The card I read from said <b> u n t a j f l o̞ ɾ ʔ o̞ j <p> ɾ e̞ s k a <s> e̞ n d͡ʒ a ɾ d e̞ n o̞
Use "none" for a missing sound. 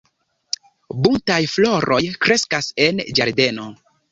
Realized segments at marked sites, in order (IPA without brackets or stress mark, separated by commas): b, k, s